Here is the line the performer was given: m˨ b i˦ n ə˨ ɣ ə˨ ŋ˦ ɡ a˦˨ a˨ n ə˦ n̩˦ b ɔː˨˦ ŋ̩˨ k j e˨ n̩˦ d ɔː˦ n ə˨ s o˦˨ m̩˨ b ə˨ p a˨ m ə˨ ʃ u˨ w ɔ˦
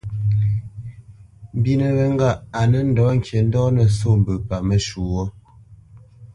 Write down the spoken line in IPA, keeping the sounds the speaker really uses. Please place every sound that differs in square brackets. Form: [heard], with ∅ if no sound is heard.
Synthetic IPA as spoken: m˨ b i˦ n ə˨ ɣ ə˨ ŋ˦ ɡ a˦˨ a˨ n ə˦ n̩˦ [d] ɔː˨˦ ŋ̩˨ k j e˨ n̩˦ d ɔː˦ n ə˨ s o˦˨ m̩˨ b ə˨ p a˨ m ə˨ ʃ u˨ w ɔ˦